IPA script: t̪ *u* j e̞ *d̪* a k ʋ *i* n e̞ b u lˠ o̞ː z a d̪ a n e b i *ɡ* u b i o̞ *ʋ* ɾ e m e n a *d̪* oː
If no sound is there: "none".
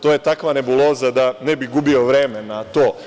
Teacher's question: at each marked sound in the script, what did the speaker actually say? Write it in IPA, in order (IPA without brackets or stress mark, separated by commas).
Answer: o, t̪, a, ɡ, ʋ, t̪